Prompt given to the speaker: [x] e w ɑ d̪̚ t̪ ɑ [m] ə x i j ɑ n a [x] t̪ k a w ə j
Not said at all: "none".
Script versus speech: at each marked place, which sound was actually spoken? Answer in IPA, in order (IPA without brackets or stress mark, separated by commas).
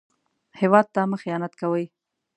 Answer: h, m, none